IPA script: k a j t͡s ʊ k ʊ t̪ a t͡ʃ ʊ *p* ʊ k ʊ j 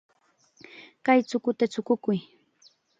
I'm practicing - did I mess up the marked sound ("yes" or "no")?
yes